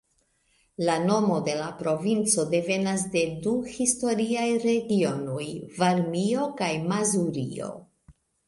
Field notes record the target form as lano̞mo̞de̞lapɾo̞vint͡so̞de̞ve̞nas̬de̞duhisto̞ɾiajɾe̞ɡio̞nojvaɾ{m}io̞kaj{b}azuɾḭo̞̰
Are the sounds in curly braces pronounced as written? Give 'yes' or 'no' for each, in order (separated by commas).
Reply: yes, no